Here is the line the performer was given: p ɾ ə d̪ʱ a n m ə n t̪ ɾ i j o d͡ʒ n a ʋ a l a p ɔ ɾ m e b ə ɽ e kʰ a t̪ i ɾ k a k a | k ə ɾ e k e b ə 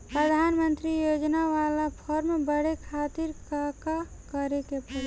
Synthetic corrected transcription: p ɾ ə d̪ʱ a n m ə n t̪ ɾ i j o d͡ʒ n a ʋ a l a pʰ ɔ ɾ m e b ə ɽ e kʰ a t̪ i ɾ k a k a | k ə ɾ e k e p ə